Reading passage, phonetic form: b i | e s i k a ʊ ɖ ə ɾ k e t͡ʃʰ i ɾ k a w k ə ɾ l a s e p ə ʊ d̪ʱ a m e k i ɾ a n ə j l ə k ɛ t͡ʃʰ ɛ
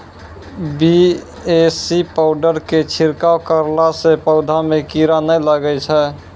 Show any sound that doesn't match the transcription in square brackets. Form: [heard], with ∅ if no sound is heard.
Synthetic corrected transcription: b i | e s i [p] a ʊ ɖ ə ɾ k e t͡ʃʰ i ɾ k a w k ə ɾ l a s e p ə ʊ d̪ʱ a m e k i ɾ a n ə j l ə [ɡ] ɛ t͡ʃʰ ɛ